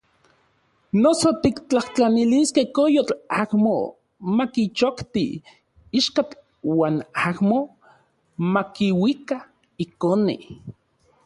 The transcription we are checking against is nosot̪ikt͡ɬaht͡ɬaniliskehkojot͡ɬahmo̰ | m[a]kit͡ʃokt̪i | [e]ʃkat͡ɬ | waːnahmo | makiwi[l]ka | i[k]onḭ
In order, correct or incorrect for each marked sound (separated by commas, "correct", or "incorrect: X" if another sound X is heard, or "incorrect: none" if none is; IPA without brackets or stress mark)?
correct, incorrect: i, incorrect: none, correct